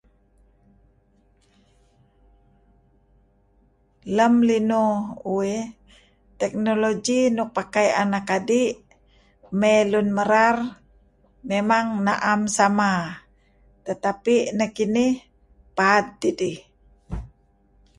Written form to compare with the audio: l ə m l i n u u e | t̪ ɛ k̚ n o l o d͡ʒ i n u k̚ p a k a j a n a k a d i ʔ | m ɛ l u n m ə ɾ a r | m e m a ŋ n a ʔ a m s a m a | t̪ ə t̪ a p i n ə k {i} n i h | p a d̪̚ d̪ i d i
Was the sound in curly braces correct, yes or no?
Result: yes